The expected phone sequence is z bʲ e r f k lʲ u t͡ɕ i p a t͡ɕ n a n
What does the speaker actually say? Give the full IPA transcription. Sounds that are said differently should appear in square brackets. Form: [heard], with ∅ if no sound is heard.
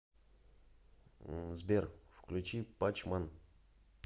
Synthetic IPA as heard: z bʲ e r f k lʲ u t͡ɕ i p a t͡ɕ [m] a n